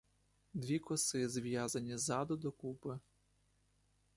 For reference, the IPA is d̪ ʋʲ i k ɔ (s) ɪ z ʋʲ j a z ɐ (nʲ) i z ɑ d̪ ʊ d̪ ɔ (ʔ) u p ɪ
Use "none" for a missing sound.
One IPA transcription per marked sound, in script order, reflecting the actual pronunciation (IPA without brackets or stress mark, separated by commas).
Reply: s, nʲ, k